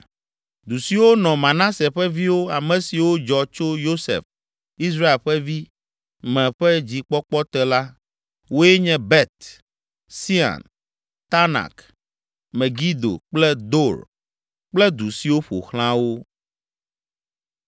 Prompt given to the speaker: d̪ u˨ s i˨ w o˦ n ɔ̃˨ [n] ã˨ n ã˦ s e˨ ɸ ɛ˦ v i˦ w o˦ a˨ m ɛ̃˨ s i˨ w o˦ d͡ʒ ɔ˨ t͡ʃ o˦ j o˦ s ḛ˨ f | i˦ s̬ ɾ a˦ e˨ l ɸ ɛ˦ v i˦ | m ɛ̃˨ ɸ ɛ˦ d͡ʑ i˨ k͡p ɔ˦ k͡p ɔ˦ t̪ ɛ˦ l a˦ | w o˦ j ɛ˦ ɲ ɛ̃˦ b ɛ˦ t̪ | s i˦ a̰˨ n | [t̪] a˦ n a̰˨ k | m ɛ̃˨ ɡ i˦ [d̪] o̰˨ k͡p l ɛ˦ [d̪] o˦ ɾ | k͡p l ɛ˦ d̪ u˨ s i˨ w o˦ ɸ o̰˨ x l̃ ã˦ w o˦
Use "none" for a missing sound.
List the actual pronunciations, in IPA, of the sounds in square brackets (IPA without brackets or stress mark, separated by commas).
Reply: m, t̪, d̪, d̪